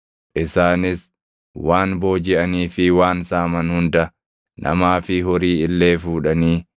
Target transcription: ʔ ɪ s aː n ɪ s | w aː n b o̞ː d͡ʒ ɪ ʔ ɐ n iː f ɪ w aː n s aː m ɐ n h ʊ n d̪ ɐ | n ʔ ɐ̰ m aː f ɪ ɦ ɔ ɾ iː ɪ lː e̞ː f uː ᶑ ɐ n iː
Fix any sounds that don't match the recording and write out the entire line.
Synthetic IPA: ʔ ɪ s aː n ɪ s | w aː n b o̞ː d͡ʒ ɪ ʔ ɐ n iː f ɪ w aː n s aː m ɐ n h ʊ n d̪ ɐ | n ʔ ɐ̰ m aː f ɪ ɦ ɔ ɾ iː ɪ lː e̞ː f uː ᶑ ɐ n iː